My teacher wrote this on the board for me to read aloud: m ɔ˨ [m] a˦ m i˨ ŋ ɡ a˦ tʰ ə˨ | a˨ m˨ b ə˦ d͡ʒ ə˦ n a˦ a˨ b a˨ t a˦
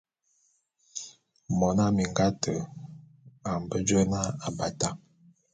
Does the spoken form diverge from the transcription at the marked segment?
yes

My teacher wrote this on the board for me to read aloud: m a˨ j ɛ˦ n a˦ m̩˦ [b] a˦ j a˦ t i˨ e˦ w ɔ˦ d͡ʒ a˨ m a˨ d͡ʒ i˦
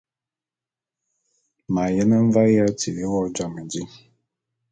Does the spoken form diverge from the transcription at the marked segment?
yes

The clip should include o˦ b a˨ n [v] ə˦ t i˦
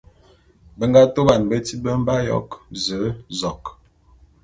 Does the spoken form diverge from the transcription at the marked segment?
yes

